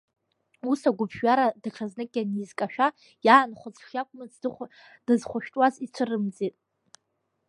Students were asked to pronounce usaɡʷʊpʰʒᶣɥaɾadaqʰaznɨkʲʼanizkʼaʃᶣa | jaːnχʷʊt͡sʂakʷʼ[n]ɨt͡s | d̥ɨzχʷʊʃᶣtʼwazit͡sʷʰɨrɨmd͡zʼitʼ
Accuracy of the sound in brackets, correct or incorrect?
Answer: incorrect